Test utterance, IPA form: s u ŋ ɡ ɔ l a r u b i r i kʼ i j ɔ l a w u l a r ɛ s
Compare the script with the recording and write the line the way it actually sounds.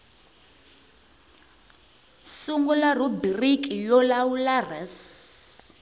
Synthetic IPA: s u ŋ ɡ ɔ l a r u b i r i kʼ i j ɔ l a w u l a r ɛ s